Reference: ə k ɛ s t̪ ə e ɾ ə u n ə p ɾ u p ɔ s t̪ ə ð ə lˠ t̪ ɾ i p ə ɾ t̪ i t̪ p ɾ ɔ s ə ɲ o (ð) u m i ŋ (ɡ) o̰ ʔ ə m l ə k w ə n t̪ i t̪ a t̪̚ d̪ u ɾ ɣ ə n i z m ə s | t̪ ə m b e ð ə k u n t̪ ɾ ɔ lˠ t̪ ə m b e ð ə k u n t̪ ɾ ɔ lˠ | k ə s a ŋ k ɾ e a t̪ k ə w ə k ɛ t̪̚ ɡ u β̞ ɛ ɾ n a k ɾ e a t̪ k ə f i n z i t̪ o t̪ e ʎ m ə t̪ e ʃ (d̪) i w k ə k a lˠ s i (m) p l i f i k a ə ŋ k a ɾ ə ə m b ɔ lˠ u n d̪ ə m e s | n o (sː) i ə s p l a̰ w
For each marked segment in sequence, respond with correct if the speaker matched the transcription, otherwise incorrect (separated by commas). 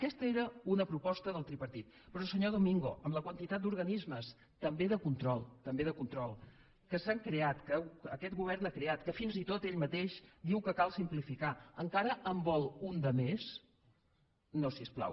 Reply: correct, correct, correct, correct, incorrect